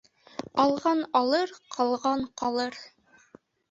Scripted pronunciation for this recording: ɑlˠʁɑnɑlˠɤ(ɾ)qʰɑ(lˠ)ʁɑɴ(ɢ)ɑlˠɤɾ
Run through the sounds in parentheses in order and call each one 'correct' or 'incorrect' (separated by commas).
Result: correct, correct, incorrect